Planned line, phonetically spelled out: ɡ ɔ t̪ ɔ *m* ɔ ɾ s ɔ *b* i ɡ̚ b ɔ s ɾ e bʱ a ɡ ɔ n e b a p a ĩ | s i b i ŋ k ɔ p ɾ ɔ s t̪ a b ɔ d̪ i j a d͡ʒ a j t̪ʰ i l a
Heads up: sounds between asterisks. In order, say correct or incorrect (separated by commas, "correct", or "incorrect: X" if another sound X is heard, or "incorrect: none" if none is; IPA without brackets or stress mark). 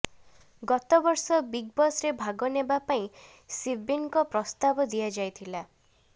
incorrect: b, correct